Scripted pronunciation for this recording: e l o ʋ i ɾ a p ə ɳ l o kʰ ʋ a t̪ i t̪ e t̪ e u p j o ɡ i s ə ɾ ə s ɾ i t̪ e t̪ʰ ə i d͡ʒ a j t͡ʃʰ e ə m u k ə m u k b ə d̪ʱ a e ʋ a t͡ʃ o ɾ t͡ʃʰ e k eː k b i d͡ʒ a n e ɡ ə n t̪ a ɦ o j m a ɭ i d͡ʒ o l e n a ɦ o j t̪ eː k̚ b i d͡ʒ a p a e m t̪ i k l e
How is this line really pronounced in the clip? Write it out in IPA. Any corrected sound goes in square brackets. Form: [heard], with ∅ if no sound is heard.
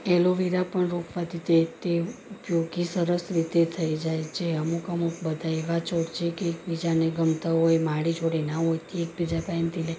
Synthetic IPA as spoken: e l o ʋ i ɾ a p ə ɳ [ɾ] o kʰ ʋ a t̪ i t̪ e t̪ e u p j o ɡ i s ə ɾ ə s ɾ i t̪ e t̪ʰ ə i d͡ʒ a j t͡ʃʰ e ə m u k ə m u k b ə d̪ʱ a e ʋ a t͡ʃ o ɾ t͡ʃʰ e k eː k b i d͡ʒ a n e ɡ ə [m] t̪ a ɦ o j m a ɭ i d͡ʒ o [ɽ] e n a ɦ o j t̪ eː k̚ b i d͡ʒ a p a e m t̪ i [∅] l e